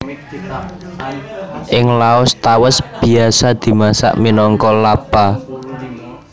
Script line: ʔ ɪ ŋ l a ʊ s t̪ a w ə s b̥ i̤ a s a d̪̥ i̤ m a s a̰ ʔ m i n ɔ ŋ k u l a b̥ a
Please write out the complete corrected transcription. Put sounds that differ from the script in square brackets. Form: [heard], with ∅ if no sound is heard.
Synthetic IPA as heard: ʔ ɪ ŋ l a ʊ s t̪ a w ə s b̥ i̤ a s a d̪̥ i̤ m a s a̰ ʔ m i n ɔ ŋ k [ɔ] l a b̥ a